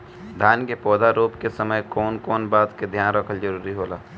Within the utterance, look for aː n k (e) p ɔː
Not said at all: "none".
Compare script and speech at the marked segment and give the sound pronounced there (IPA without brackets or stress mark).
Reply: e